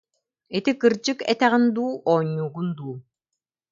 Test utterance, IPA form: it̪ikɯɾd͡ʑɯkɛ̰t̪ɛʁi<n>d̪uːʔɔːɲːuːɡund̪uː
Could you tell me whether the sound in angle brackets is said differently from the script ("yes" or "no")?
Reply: no